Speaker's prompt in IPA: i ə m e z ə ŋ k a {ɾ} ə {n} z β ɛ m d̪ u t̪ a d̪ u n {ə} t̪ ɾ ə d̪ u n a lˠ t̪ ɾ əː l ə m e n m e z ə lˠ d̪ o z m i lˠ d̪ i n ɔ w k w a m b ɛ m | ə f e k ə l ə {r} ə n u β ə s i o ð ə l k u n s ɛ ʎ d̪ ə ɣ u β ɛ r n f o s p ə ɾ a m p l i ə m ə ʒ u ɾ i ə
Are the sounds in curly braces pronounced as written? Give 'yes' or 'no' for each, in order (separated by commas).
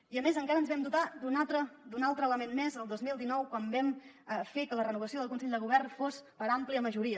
yes, yes, no, yes